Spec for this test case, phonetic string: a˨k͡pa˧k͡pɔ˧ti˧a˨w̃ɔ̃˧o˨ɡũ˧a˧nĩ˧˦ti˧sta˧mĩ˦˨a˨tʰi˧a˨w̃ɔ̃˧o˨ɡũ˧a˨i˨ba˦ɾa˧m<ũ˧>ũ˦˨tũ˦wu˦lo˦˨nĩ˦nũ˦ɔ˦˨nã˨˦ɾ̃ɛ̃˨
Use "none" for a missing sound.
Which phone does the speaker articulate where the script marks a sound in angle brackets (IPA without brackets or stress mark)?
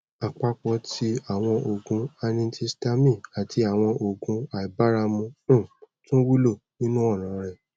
ũ˧